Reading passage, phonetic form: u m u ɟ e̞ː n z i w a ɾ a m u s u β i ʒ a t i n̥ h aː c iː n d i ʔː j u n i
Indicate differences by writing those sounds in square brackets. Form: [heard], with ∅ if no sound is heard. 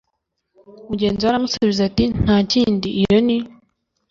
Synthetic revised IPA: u m u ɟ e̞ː n z i w a ɾ a m u s u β i [z] a t i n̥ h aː c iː n d i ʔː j [o] n i